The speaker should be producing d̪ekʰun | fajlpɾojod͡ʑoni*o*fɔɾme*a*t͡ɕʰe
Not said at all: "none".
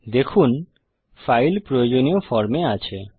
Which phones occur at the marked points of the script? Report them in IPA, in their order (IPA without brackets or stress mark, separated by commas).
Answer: o, a